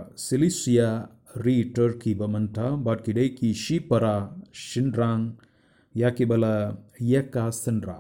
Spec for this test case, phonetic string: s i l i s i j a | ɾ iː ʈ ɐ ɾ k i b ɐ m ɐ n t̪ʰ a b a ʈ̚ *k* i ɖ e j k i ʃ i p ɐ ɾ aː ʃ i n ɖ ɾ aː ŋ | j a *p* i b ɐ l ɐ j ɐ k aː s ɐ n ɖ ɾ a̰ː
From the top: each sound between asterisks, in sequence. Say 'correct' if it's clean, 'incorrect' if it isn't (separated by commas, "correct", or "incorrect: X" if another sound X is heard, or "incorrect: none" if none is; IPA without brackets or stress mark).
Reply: correct, incorrect: k